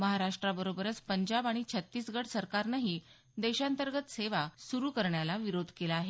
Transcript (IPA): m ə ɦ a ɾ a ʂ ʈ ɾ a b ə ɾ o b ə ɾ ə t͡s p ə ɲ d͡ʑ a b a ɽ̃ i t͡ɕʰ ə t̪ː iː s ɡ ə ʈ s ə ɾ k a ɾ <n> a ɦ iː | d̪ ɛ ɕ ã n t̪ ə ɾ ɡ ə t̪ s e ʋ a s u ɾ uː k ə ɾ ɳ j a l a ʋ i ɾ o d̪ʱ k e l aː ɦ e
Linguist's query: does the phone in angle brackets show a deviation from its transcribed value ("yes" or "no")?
no